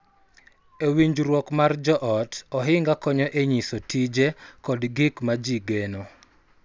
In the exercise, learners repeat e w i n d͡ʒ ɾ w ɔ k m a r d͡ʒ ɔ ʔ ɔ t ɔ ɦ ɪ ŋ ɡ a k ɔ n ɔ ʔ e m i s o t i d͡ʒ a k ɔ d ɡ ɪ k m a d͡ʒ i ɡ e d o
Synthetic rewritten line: e w i ɲ d͡ʒ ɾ w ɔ k m a r d͡ʒ ɔ ʔ ɔ t ɔ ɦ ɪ ŋ ɡ a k ɔ ɲ ɔ ʔ e ɲ i s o t i d͡ʒ e k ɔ d ɡ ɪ k m a d͡ʒ i ɡ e n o